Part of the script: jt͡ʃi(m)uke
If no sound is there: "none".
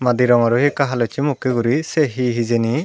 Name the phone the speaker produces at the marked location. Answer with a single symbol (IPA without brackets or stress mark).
m